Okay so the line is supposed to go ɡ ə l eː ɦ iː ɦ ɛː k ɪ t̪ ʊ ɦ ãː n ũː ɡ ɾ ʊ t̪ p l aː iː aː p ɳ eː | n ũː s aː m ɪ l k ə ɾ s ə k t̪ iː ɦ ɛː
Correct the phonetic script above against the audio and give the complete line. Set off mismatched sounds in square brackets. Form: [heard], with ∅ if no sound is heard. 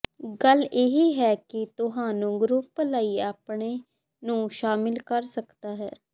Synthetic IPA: ɡ ə l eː ɦ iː ɦ ɛː k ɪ t̪ ʊ ɦ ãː n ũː ɡ ɾ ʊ [∅] p l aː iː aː p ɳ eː | n ũː [ʃ] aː m ɪ l k ə ɾ s ə k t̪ [aː] ɦ ɛː